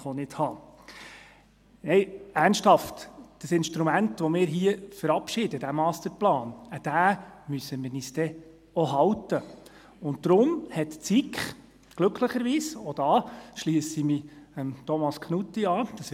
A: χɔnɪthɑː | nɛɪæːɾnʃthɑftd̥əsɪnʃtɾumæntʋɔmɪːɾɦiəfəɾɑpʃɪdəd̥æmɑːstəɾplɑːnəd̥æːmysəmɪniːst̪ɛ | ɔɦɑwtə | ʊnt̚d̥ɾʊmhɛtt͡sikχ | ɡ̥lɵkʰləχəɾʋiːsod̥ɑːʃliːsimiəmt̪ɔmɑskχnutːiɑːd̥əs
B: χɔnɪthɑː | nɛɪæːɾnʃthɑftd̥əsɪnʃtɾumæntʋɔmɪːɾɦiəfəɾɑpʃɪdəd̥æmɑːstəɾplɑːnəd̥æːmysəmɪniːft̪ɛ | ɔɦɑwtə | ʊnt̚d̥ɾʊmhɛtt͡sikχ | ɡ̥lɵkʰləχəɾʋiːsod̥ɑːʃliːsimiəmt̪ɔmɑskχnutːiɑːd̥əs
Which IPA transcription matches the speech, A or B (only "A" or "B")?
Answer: A